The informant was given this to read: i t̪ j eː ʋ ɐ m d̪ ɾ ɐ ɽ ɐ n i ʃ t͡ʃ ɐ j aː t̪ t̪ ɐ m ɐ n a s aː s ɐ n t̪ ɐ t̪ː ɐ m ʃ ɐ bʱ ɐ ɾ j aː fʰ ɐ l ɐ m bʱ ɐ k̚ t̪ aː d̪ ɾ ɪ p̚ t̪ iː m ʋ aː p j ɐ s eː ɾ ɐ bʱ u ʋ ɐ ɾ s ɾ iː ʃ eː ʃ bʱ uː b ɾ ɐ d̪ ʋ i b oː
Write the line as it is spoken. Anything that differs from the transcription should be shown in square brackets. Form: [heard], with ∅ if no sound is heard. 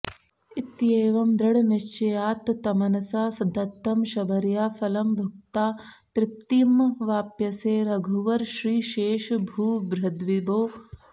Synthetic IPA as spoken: i t̪ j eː ʋ ɐ m d̪ ɾ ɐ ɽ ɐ n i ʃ t͡ʃ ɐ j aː t̪ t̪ ɐ m ɐ n [ɐ] s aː s ɐ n t̪ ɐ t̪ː ɐ m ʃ ɐ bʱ ɐ ɾ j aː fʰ ɐ l ɐ m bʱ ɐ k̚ t̪ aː [t̪] ɾ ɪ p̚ t̪ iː m ʋ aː p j ɐ s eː ɾ ɐ [ɡʱ] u ʋ ɐ ɾ [ʃ] ɾ iː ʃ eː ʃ bʱ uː b ɾ ɐ d̪ ʋ i b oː